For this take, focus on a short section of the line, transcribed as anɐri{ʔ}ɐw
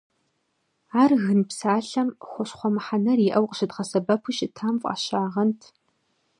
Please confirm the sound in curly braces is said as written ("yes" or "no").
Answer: yes